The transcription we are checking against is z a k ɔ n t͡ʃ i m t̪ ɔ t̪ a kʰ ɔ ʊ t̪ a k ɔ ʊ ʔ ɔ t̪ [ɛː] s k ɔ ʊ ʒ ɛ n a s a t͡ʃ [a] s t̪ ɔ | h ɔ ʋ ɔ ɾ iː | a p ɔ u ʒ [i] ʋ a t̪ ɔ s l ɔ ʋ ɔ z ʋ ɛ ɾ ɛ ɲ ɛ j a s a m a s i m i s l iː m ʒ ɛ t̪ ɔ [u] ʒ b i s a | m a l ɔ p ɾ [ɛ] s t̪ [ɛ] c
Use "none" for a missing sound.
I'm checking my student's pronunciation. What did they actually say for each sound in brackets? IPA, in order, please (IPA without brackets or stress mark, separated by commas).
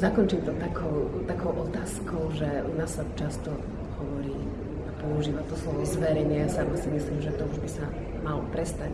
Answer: aː, a, iː, u, ɛ, a